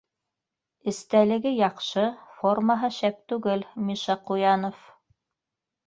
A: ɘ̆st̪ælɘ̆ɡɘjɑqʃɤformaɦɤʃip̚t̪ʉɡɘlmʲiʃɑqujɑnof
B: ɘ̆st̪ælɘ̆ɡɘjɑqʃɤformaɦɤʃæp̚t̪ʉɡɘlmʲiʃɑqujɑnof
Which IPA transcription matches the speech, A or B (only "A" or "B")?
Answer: B